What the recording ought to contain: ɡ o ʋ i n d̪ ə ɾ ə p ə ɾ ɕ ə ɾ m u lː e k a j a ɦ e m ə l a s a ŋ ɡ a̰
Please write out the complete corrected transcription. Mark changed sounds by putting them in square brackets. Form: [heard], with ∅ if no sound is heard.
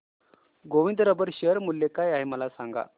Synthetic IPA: ɡ o ʋ i n d̪ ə ɾ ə [b] ə ɾ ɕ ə ɾ m u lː e k a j a ɦ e m ə l a s a ŋ ɡ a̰